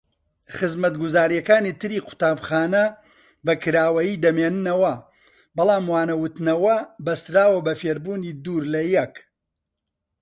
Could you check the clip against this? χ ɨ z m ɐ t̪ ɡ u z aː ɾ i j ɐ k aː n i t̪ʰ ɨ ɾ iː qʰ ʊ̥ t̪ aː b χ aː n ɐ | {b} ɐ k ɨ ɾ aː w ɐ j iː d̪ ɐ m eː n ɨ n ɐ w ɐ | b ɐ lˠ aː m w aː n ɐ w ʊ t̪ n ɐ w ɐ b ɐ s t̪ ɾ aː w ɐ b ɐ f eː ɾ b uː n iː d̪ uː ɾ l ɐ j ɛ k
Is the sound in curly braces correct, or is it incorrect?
correct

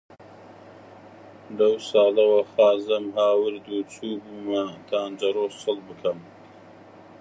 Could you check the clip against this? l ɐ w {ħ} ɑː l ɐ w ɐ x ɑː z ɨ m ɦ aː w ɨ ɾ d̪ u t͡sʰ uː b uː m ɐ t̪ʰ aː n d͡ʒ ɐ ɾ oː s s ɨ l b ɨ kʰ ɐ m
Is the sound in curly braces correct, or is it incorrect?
incorrect: s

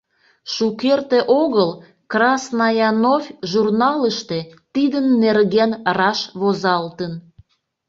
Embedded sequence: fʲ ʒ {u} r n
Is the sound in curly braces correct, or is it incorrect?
correct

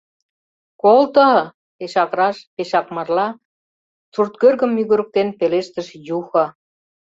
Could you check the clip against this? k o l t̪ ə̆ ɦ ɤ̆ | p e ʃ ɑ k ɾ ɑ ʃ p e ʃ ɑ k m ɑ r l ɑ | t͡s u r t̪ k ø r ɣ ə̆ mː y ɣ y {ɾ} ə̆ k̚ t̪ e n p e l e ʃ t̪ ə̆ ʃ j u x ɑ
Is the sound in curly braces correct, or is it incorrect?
correct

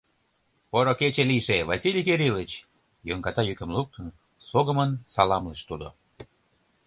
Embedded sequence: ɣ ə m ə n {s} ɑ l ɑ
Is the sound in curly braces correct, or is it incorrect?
correct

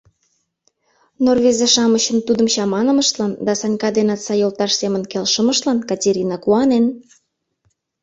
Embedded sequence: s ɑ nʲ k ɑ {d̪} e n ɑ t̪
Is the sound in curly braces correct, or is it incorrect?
correct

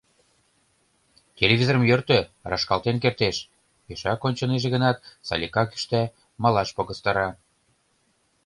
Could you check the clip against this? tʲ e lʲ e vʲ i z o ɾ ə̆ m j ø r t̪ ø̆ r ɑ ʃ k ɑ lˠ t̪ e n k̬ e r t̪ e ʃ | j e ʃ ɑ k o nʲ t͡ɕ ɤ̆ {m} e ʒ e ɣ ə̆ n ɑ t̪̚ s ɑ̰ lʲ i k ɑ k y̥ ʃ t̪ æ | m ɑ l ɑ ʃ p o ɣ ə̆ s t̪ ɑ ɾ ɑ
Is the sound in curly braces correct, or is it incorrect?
incorrect: n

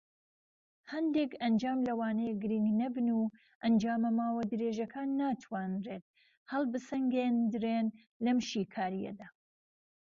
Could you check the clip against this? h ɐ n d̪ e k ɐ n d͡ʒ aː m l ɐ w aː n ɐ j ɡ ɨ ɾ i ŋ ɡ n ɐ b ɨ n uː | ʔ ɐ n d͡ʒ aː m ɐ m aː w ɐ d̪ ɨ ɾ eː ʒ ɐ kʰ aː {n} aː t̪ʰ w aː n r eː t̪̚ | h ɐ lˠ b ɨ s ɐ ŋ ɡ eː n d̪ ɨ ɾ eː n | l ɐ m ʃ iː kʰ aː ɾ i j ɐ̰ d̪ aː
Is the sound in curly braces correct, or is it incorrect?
incorrect: nː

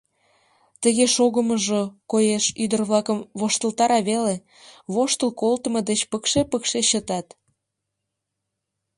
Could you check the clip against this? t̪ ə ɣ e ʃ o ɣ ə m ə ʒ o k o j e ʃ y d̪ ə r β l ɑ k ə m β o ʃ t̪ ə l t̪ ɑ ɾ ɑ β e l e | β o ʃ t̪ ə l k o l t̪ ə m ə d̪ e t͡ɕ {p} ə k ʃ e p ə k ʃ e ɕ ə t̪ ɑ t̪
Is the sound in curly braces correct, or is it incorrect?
correct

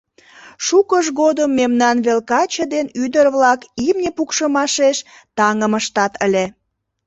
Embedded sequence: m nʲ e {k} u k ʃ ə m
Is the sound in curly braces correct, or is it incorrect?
incorrect: p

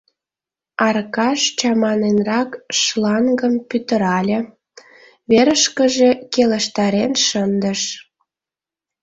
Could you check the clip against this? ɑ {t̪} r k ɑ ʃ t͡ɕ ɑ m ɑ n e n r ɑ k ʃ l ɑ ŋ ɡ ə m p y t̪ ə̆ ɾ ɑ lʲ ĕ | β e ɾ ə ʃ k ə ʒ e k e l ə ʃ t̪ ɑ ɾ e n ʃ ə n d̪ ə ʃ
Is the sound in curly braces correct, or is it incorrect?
incorrect: none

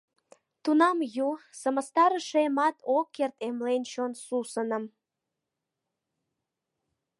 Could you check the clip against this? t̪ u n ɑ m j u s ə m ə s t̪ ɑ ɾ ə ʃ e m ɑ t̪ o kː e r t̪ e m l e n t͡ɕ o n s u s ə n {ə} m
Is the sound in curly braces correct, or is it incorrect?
correct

